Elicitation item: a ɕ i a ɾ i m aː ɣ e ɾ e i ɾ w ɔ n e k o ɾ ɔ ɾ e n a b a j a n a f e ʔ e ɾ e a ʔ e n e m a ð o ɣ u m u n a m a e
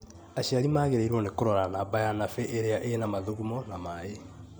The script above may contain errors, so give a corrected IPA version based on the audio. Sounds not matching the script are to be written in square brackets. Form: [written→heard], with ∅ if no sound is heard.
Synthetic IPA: a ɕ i a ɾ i m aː ɣ e ɾ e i ɾ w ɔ n e k o ɾ ɔ ɾ [e→a] n a b a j a n a f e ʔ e ɾ e a ʔ e n [e→a] m a ð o ɣ u m [u→ɔ] n a m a e